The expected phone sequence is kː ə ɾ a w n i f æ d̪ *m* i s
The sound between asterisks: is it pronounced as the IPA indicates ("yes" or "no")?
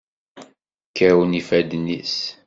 no